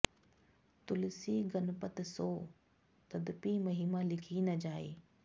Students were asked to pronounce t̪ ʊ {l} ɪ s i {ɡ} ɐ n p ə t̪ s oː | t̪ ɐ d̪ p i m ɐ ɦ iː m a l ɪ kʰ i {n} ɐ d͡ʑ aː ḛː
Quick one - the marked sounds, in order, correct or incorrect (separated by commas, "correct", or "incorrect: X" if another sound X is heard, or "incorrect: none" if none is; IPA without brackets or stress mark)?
correct, correct, correct